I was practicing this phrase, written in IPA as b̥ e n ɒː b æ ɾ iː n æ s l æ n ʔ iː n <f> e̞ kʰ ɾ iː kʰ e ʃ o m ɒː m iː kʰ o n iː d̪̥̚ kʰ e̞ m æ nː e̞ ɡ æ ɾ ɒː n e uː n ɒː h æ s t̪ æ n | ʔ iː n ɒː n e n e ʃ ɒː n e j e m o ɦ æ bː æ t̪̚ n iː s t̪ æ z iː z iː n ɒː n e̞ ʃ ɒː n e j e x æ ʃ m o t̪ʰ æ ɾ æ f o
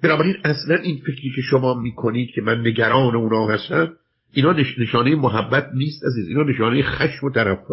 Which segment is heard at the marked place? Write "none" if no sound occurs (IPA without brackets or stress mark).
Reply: f